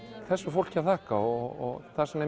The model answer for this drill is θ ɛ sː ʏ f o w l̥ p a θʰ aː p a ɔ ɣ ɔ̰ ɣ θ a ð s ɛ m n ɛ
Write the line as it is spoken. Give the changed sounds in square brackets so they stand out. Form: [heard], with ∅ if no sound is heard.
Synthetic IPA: θ ɛ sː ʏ f o w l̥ [c] a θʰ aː [k] a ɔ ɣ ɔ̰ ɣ θ a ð s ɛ m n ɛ

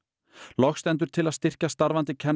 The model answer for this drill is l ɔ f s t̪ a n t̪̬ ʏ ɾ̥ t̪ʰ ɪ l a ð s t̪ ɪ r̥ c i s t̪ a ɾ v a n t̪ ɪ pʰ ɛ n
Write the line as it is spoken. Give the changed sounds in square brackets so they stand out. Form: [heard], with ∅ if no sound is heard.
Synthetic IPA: l ɔ [x] s t̪ [ɛ] n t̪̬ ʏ ɾ̥ t̪ʰ ɪ l a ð s t̪ ɪ r̥ c [a] s t̪ a ɾ v a n t̪ ɪ [cʰ] ɛ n

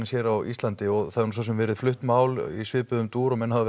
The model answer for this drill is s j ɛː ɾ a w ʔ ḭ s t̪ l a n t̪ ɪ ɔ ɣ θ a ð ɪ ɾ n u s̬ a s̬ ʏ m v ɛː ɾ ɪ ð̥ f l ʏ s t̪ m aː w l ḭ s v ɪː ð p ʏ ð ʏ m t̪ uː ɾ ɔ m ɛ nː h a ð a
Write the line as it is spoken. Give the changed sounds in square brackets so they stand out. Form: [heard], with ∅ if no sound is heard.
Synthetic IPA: s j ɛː ɾ a w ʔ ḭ s t̪ l a n t̪ ɪ ɔ ɣ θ a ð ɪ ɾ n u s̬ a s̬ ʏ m v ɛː ɾ ɪ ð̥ f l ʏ [h] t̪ m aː w l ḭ s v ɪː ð p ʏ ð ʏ m t̪ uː ɾ ɔ m ɛ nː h a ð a

